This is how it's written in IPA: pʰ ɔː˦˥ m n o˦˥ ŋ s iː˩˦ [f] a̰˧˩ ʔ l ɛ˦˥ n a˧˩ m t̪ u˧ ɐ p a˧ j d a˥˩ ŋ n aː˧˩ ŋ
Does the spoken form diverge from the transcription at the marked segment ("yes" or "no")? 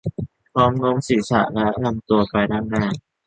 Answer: yes